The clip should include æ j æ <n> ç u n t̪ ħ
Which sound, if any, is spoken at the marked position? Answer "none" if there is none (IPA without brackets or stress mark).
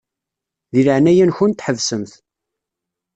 n